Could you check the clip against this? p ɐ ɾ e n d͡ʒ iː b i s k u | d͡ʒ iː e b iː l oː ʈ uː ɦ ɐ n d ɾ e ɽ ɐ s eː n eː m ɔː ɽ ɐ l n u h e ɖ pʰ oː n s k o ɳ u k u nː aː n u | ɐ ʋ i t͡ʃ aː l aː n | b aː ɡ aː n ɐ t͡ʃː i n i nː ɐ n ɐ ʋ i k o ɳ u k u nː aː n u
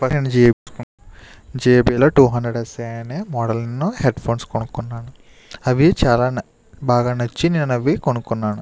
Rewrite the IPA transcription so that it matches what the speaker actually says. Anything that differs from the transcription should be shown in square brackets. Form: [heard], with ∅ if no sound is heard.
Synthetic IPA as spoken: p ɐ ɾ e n d͡ʒ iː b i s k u | d͡ʒ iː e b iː l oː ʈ uː ɦ ɐ n d ɾ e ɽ ɐ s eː n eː m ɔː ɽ ɐ l n u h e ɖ pʰ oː n s k o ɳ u k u nː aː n u | ɐ ʋ i t͡ʃ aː l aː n | b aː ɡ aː n ɐ t͡ʃː i n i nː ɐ n ɐ ʋ i k o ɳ u k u nː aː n u